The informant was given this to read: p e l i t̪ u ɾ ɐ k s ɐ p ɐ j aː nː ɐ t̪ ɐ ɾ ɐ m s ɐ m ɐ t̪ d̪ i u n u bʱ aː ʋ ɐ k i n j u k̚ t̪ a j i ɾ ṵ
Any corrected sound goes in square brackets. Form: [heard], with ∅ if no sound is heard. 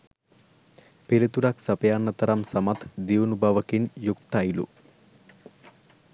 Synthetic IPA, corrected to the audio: p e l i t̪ u ɾ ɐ k s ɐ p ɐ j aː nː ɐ t̪ ɐ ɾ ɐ m s ɐ m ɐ t̪ d̪ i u n u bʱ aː ʋ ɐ k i n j u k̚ t̪ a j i [l] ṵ